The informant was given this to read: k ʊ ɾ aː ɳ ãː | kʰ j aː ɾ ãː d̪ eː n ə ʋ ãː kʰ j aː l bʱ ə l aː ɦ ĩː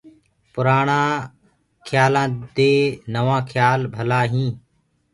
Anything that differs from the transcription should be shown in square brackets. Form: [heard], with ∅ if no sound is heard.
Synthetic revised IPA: [p] ʊ ɾ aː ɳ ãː | kʰ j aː [l] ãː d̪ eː n ə ʋ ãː kʰ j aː l bʱ ə l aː ɦ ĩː